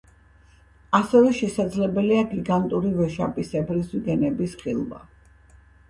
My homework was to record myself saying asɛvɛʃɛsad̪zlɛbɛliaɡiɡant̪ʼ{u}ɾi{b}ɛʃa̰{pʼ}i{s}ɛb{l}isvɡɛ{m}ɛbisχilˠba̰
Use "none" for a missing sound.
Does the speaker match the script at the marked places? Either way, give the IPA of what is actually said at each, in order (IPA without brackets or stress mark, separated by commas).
u, v, pʼ, s, ɾ, n